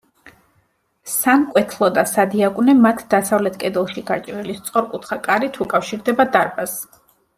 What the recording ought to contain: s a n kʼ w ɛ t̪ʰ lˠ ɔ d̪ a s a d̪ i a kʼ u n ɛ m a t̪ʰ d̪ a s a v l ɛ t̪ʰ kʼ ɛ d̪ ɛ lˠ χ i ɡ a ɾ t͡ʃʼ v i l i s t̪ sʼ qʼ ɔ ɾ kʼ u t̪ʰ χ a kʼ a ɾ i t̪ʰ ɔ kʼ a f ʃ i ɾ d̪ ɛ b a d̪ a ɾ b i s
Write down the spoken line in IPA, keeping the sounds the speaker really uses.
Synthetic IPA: s a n kʼ w ɛ t̪ʰ lˠ ɔ d̪ a s a d̪ i a kʼ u n ɛ m a t̪ʰ d̪ a s a v l ɛ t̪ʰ kʼ ɛ d̪ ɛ lˠ ʃ i ɡ a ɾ t͡ʃʼ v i l i s t̪ sʼ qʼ ɔ ɾ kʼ u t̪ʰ χ a kʼ a ɾ i t̪ʰ u kʼ a f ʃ i ɾ d̪ ɛ b a d̪ a ɾ b a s